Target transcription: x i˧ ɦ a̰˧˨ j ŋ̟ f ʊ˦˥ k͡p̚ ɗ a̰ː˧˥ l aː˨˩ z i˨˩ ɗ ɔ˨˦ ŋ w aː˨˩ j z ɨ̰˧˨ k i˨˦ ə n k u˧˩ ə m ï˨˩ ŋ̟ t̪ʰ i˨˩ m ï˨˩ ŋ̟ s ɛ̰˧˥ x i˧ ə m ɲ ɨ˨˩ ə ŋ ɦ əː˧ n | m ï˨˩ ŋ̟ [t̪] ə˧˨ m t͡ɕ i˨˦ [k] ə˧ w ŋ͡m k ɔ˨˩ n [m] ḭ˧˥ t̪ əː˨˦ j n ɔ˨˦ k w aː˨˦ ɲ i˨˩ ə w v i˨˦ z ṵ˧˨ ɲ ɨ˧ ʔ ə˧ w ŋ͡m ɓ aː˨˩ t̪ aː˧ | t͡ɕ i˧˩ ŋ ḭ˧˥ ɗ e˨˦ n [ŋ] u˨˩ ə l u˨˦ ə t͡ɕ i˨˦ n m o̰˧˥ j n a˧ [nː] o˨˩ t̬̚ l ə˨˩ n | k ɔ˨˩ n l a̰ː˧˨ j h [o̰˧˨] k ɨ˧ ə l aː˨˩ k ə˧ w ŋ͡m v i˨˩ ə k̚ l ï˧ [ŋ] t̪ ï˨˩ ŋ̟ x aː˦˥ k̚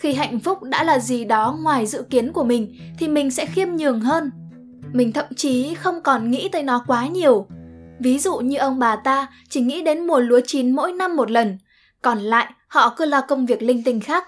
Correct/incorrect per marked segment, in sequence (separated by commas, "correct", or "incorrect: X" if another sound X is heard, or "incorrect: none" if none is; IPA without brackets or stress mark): incorrect: t̪ʰ, incorrect: x, incorrect: ŋ, incorrect: m, incorrect: mː, incorrect: ɔ̰˧˨, correct